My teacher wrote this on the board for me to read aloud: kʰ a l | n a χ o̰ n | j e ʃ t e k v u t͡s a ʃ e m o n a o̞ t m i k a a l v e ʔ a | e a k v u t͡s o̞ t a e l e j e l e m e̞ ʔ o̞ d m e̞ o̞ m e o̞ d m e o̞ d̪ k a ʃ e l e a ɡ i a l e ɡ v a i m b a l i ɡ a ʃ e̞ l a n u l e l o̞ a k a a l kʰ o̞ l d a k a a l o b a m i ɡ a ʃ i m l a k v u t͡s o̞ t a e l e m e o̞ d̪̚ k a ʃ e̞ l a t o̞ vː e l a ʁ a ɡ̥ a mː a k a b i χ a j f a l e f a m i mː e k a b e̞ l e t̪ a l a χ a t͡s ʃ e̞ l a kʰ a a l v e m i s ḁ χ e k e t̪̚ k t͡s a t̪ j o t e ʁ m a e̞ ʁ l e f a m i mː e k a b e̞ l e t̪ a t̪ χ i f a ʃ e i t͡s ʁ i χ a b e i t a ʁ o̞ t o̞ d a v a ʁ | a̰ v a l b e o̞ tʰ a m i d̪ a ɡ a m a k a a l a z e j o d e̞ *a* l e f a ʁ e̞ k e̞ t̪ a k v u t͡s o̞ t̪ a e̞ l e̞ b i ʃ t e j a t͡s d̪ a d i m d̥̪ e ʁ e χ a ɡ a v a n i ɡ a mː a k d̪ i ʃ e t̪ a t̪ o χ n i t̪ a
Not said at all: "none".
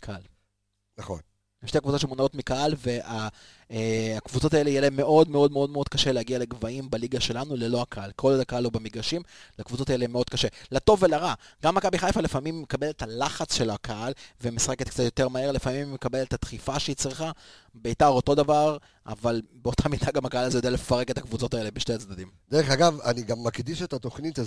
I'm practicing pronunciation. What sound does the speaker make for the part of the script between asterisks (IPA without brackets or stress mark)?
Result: a